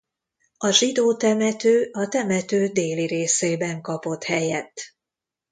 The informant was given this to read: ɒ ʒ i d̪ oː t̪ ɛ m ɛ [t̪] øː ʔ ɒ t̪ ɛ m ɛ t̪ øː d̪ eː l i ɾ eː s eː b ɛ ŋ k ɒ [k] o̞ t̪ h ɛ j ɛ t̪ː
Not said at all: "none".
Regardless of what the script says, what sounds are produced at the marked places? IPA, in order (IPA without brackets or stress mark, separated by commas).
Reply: t̪, p